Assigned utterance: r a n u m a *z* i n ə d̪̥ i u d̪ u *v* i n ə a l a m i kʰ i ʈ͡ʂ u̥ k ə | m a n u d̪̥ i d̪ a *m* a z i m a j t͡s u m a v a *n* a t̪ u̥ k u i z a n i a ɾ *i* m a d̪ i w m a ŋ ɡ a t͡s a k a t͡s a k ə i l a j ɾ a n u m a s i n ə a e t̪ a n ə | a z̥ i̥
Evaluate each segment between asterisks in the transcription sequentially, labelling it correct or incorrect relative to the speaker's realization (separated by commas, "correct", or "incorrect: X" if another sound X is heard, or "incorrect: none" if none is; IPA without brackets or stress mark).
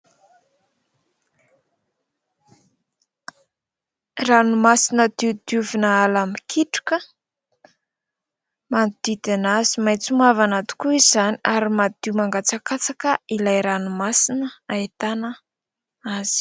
incorrect: s, correct, incorrect: n, correct, correct